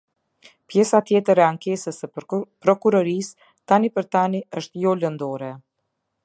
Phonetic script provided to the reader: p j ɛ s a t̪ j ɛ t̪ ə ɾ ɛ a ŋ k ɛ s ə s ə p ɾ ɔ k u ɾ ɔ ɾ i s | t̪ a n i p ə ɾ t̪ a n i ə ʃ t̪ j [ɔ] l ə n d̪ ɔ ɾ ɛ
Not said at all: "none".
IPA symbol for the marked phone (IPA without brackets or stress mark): ɔ